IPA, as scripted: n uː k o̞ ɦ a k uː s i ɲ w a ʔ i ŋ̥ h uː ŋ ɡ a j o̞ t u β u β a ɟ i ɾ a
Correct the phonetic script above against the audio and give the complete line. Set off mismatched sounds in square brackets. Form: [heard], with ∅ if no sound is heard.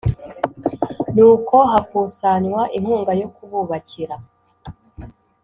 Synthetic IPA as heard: n uː k o̞ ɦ a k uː s [a] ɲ w a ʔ i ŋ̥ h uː ŋ ɡ a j o̞ [k] u β u β a [c] i ɾ a

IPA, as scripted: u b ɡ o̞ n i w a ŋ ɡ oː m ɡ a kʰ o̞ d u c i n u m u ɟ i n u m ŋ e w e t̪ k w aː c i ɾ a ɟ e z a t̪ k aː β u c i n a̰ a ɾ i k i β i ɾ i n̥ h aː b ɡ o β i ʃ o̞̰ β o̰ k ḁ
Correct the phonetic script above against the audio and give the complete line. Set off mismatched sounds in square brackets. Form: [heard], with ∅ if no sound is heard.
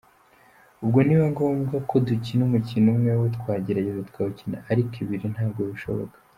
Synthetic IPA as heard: u b ɡ o̞ n i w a ŋ ɡ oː m ɡ a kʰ o̞ d u c i n u m u [c] i n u m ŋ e w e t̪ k w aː [ɟ] i ɾ a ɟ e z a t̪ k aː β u c i n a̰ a ɾ i k i β i ɾ i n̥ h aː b ɡ o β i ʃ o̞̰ β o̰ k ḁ

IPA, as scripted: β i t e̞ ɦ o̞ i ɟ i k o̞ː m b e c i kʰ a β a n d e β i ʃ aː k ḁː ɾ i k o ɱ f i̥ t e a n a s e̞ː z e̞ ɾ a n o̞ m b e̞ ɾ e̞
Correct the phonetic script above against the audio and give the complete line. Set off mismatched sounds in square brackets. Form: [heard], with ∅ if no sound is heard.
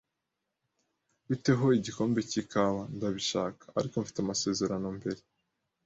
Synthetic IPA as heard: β i t e̞ ɦ o̞ i ɟ i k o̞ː m b e c i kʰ a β a n d [a] β i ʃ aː k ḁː ɾ i k o ɱ f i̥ t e a [m] a s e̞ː z e̞ ɾ a n o̞ m b e̞ ɾ e̞

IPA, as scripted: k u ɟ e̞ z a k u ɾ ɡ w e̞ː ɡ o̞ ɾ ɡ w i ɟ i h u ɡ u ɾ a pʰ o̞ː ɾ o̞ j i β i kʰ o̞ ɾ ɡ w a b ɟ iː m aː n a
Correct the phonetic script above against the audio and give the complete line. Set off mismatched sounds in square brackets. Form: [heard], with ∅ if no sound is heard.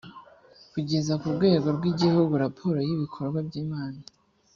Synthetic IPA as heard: k u ɟ e̞ z a k u ɾ ɡ w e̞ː ɡ o̞ ɾ ɡ w i ɟ i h u ɡ u ɾ a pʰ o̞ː ɾ o̞ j i β i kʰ o̞ ɾ ɡ w a b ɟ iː m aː n a

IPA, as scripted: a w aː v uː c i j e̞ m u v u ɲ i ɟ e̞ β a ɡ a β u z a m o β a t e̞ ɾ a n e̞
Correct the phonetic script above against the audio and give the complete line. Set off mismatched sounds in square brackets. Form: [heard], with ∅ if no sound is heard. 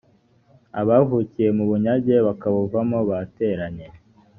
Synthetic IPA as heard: a [β] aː v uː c i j e̞ m u [β] u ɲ [a] ɟ e̞ β a [k] a β u [v] a m o β a t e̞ ɾ a [ɲ] e̞

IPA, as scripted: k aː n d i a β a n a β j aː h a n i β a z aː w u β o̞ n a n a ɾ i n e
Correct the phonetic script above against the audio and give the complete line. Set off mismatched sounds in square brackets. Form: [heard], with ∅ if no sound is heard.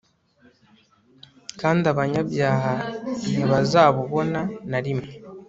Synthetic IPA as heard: k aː n d i a β a [ɲ] a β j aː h a n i β a z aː [β] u β o̞ n a n a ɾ i [m] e

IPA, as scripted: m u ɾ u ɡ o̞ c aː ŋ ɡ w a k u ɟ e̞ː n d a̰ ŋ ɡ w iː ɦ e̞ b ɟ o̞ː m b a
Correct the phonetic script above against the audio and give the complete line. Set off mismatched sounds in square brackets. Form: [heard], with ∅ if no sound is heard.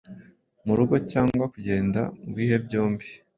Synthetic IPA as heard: m u ɾ u ɡ o̞ c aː ŋ ɡ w a k u ɟ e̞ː n d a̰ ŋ ɡ w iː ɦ e̞ b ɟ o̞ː m b [i]

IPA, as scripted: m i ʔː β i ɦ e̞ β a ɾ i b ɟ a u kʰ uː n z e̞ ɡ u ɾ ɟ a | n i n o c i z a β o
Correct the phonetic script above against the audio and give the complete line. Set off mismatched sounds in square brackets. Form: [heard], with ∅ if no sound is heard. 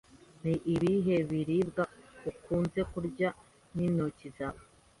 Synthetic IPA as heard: [n] i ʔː β i ɦ e̞ β [i] ɾ i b [ɡ] a u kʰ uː n z e̞ [k] u ɾ ɟ a | n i n o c i z a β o

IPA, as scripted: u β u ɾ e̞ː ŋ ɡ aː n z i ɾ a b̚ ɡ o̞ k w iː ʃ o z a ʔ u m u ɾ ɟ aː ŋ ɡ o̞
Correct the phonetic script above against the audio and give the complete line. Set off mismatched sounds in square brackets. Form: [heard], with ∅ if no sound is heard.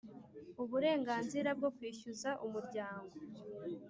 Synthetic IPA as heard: u β u ɾ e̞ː ŋ ɡ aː n z i ɾ a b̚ ɡ o̞ k w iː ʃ [u] z a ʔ u m u ɾ ɟ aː ŋ ɡ o̞

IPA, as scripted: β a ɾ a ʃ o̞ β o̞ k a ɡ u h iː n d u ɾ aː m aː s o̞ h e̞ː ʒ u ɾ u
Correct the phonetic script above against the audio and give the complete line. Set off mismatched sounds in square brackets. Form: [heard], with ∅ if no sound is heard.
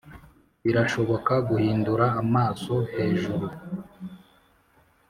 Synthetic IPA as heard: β [i] ɾ a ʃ o̞ β o̞ k a ɡ u h iː n d u ɾ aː m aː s o̞ h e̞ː ʒ u ɾ u

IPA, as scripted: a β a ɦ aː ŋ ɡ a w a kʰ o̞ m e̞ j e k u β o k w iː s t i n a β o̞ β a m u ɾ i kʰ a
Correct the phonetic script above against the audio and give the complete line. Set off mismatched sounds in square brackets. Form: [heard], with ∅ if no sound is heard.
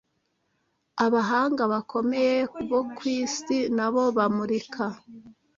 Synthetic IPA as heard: a β a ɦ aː ŋ ɡ a [β] a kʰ o̞ m e̞ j e k u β o k w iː s t i n a β o̞ β a m u ɾ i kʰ a

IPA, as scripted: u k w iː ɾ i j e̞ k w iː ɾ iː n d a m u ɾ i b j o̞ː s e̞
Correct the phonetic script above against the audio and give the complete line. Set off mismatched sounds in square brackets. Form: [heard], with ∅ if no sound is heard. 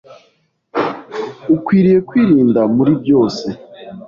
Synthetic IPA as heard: u k w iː ɾ i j e̞ k w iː ɾ iː n d a m u ɾ i b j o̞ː s e̞

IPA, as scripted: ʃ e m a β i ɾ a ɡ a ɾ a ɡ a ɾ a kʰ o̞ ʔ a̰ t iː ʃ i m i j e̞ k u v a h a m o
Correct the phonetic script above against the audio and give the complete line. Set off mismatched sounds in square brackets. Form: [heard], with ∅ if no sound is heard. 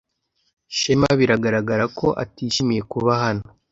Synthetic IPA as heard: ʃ e m a β i ɾ a ɡ a ɾ a ɡ a ɾ a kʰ o̞ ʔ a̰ t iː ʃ i m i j e̞ k u [β] a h a [n] o

